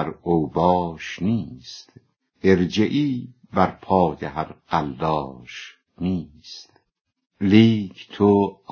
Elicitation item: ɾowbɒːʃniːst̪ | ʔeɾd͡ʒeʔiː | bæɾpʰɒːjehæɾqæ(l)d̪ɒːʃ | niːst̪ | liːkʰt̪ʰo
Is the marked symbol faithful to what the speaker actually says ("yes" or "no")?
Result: yes